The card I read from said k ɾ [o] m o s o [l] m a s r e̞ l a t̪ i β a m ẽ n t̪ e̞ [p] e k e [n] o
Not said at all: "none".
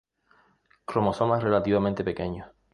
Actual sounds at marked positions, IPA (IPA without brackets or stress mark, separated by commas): o, none, p, ɲ